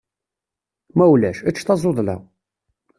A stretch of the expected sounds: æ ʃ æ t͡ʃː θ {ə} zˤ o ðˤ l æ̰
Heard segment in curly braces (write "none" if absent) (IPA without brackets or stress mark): ɑ